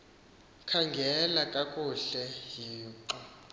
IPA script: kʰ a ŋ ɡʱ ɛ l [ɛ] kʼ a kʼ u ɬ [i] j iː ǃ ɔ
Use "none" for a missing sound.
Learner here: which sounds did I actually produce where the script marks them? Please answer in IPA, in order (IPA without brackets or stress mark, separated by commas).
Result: a, ɛ